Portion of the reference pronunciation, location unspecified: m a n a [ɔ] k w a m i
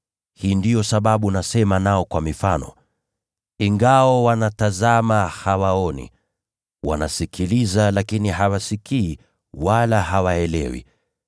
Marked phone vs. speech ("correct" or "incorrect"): correct